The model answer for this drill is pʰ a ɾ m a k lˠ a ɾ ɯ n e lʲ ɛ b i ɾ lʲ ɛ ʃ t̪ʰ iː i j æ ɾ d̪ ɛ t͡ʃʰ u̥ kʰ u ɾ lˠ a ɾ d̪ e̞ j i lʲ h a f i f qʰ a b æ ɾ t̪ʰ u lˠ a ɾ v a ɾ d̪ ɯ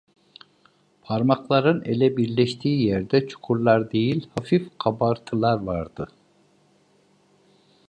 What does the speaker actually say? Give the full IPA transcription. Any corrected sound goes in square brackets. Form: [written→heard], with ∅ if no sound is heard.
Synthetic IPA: pʰ a ɾ m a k lˠ a ɾ ɯ n e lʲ ɛ b i ɾ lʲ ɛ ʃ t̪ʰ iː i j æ ɾ d̪ ɛ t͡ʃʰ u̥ kʰ u ɾ lˠ a ɾ d̪ e̞ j i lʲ h a f i f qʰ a b [æ→a] ɾ t̪ʰ [u→ɯ] lˠ a ɾ v a ɾ d̪ ɯ